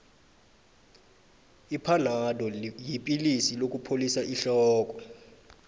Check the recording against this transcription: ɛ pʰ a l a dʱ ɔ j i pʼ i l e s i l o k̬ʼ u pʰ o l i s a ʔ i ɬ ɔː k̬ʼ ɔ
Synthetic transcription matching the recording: i pʰ a l a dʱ ɔ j i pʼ i l i s i l o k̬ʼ u pʰ o l i s a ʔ i ɬ ɔː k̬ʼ ɔ